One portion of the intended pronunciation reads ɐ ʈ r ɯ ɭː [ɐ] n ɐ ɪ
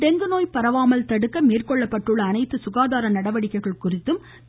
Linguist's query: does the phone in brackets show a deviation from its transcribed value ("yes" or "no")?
yes